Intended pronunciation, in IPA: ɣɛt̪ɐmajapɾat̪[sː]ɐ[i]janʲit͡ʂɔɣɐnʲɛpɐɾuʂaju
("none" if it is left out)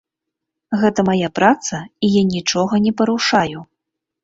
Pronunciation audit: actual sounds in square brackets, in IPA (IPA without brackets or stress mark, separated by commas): s, i